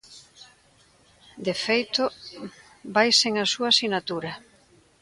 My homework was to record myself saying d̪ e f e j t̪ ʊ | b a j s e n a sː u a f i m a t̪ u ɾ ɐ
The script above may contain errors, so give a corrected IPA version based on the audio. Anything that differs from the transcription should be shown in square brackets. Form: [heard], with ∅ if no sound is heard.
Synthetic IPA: d̪ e f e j t̪ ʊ | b a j s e [ŋ] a [s] u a [s] i [n] a t̪ u ɾ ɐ